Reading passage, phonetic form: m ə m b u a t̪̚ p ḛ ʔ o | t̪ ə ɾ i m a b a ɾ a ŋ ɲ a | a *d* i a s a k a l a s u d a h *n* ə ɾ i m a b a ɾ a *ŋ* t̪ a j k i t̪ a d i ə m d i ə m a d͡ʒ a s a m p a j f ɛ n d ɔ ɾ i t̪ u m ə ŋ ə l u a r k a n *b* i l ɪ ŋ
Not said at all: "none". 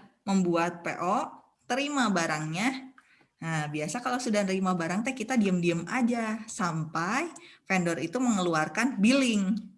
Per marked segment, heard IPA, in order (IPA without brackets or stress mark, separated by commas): b, n, ŋ, b